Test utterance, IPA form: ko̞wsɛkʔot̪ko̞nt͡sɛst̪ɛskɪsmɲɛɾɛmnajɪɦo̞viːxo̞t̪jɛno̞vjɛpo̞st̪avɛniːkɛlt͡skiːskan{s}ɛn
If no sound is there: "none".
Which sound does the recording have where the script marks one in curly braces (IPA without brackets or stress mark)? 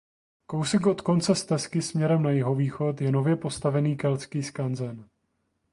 z